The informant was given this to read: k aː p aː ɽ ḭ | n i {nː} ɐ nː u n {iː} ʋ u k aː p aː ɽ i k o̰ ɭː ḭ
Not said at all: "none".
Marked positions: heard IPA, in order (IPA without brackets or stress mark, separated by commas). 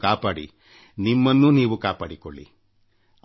mː, iː